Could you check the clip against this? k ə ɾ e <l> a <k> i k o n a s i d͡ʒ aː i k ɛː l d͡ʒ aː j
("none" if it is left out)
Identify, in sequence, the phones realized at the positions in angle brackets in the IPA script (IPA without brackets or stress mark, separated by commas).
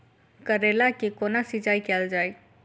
l, k